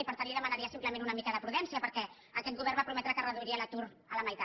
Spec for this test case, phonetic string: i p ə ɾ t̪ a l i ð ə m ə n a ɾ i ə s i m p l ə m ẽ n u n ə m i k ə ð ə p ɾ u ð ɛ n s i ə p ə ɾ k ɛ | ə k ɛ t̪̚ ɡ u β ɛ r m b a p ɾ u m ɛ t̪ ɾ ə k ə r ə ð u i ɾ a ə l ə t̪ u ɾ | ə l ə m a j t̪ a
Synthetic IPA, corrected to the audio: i p ə ɾ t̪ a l i ð ə m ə n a ɾ i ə s i m p l ə m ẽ n u n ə m i k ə ð ə p ɾ u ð ɛ n s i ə p ə ɾ k ɛ | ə k ɛ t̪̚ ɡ u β ɛ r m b a p ɾ u m ɛ t̪ ɾ ə k ə r ə ð u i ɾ i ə l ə t̪ u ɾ | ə l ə m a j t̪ a

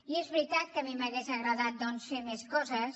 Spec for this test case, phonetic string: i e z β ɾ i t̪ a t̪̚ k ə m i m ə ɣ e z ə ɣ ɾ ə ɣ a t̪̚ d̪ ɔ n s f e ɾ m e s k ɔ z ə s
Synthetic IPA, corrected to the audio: i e z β ɾ i t̪ a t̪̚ k ə m i m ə ɣ e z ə ɣ ɾ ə ð a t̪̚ d̪ ɔ n s f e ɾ m e s k ɔ z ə s

